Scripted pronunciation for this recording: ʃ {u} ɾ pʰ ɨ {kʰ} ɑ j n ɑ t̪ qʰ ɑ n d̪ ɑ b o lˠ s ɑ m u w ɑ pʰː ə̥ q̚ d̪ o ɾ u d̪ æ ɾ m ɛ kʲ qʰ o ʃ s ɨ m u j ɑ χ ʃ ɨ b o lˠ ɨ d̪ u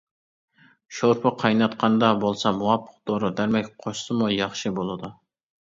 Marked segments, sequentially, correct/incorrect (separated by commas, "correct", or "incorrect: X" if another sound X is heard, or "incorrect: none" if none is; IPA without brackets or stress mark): incorrect: o, incorrect: qʰ